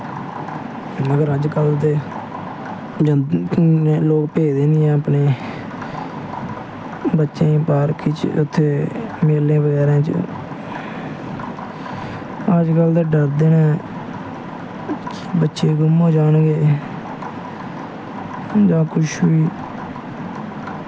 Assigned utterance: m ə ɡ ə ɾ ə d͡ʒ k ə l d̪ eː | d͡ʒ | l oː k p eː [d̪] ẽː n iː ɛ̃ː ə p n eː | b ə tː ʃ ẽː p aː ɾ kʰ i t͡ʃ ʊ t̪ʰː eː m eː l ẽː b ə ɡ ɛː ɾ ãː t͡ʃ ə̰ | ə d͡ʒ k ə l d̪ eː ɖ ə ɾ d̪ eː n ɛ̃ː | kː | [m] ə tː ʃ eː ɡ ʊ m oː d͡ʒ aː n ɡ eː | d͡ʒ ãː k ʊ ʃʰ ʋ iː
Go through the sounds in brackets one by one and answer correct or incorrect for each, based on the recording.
correct, incorrect

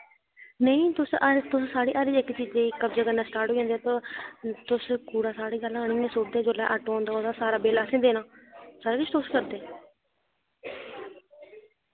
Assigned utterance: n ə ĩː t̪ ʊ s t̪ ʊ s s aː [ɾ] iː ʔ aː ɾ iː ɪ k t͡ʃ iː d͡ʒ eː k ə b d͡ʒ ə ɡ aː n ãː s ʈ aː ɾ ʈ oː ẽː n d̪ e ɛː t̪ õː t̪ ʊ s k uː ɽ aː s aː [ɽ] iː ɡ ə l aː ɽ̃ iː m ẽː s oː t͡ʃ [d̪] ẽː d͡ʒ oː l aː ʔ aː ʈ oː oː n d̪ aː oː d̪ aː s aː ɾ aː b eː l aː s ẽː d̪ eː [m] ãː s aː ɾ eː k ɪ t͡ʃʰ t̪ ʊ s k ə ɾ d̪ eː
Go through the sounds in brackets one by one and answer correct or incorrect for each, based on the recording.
incorrect, correct, correct, incorrect

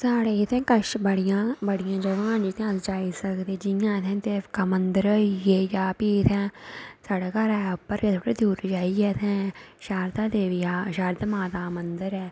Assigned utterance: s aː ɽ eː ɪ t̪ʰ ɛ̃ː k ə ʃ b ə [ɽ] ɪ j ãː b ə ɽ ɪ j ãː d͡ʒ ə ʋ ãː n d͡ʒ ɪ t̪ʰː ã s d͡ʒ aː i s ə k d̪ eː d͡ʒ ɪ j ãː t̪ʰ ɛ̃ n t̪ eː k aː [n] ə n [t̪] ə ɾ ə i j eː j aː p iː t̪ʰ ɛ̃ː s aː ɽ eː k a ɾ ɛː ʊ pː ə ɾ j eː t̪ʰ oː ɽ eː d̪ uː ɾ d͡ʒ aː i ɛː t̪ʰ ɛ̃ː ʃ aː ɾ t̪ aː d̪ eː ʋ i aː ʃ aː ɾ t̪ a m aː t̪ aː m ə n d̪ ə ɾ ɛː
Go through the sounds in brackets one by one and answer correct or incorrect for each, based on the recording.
correct, incorrect, incorrect

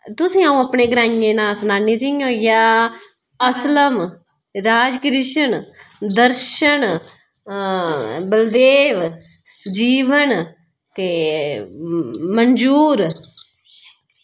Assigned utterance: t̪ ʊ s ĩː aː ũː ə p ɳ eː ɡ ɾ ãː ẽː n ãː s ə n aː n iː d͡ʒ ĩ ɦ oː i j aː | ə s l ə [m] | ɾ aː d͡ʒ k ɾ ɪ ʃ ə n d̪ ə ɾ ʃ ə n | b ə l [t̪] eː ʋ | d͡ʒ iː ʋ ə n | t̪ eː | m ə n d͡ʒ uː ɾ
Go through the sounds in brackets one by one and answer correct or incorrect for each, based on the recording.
correct, incorrect

